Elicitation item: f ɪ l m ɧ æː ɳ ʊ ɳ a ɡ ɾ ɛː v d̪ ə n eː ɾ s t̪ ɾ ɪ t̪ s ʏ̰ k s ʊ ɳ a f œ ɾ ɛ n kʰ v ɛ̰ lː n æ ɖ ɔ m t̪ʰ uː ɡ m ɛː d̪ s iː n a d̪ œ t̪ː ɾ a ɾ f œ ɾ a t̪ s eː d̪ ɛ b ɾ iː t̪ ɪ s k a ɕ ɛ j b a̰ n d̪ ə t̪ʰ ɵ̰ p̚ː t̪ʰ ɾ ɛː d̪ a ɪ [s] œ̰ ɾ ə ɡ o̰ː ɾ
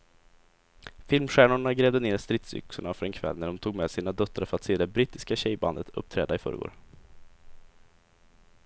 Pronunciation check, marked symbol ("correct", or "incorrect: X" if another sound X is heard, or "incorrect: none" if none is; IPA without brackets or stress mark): incorrect: f